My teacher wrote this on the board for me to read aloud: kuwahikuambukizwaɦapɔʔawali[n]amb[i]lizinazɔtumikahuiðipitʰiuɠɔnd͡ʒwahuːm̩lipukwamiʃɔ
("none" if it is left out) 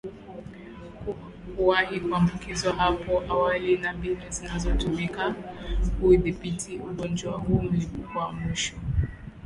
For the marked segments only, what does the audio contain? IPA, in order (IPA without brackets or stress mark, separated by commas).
n, i